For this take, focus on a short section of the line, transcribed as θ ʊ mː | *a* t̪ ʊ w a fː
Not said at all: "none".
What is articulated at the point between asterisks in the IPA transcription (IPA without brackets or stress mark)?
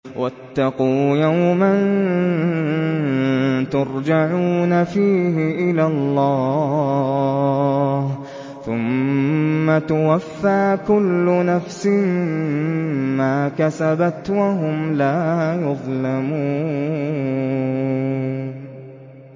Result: a